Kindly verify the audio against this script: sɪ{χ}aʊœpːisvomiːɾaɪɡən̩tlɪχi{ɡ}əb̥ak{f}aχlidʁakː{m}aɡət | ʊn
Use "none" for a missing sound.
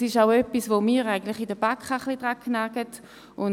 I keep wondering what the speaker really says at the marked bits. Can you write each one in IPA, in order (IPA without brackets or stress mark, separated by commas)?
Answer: ʃ, d, χ, n